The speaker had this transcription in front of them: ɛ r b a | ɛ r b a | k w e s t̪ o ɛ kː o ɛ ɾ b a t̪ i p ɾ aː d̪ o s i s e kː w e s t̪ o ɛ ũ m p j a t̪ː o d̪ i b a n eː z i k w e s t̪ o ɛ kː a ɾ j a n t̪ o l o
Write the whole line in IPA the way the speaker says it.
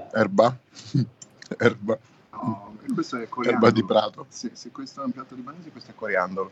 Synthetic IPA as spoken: ɛ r b a | ɛ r b a | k w e s t̪ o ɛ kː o ɛ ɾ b a d̪ i p ɾ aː t̪ o s i s e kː w e s t̪ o ɛ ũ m p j a t̪ː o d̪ i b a n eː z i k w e s t̪ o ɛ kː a ɾ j a n d̪ o l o